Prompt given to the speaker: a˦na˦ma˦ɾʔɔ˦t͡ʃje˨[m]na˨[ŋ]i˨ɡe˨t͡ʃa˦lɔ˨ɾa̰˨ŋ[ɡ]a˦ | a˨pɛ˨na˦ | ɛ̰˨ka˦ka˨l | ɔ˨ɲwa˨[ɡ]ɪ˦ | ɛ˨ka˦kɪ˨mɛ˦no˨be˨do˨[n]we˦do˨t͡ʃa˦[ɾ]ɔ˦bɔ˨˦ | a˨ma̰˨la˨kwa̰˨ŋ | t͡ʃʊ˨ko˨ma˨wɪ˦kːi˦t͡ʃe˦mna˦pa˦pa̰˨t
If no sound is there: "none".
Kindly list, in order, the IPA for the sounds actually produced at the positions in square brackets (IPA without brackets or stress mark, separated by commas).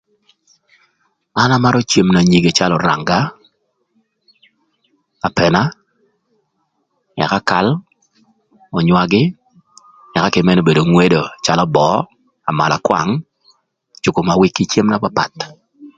m, ɲ, ɡ, ɡ, ŋ, l